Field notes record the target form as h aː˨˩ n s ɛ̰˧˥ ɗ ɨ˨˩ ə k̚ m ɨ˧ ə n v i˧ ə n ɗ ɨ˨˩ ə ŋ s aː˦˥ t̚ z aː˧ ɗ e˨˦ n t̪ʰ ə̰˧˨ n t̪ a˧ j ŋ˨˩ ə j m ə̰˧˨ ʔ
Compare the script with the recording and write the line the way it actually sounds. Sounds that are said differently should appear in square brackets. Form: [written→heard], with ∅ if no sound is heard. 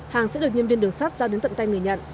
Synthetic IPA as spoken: h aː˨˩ [n→ŋ] s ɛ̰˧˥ ɗ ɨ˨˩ ə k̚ [m→ɲ] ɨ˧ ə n v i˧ ə n ɗ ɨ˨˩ ə ŋ s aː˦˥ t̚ z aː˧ ɗ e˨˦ n [t̪ʰ→t̪] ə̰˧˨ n t̪ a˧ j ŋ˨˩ ə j [m→ɲ] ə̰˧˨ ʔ